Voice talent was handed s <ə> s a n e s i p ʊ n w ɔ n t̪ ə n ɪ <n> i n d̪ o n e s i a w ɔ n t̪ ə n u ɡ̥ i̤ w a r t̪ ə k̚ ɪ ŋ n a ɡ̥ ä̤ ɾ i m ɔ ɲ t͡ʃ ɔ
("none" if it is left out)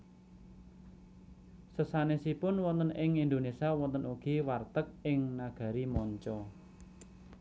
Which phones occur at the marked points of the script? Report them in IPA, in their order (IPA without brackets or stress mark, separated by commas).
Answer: ə, ŋ